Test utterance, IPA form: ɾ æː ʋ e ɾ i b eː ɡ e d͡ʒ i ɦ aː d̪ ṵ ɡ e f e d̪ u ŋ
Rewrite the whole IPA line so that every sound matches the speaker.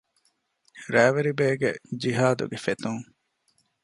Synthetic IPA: ɾ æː ʋ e ɾ i b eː ɡ e d͡ʒ i ɦ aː d̪ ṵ ɡ e f e t̪ u ŋ